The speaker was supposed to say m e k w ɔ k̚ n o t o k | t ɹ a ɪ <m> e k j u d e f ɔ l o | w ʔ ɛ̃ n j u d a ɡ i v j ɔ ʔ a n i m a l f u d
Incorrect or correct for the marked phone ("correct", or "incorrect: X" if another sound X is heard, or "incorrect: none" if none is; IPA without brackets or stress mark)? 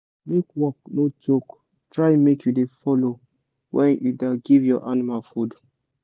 correct